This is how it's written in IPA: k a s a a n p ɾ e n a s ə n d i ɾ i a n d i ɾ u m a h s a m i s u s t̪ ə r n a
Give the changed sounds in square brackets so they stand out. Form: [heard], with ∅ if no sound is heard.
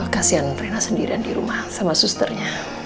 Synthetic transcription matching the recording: k a s [i] a n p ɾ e n a s ə n d i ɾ i a n d i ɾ u m a h s a m [a] s u s t̪ ə r [ɲ] a